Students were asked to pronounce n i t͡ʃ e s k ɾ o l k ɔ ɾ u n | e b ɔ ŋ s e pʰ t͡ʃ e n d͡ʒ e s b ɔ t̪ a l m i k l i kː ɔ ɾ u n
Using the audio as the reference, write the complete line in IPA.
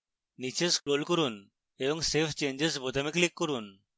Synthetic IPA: n i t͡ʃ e s k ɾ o l k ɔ ɾ u n | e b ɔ ŋ s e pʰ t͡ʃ e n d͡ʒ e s b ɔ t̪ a m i k l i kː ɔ ɾ u n